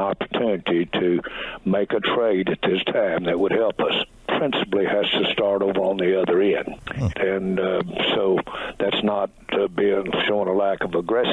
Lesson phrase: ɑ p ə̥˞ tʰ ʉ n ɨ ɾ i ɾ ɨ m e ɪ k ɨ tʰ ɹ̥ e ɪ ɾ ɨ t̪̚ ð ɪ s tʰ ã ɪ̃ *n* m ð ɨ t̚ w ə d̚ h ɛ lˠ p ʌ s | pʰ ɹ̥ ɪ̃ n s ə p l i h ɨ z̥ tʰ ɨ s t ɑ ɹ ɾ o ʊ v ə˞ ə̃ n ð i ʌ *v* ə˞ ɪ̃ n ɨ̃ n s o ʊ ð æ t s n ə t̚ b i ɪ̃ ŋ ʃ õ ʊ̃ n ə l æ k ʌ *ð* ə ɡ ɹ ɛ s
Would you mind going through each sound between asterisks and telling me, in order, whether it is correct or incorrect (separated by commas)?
incorrect, incorrect, incorrect